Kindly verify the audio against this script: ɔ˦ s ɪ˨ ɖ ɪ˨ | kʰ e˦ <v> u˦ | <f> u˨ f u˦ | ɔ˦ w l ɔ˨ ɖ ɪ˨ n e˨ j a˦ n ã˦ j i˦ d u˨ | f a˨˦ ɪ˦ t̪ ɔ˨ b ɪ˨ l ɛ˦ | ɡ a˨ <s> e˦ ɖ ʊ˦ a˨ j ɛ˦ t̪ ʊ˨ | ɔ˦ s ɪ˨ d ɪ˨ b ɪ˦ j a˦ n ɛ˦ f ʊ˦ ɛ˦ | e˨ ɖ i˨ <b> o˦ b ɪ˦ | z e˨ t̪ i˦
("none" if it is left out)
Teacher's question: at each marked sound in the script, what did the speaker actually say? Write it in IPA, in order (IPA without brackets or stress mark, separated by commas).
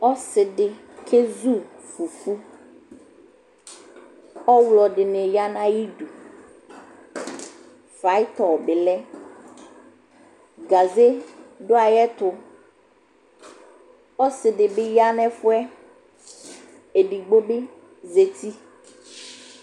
z, f, z, ɡ͡b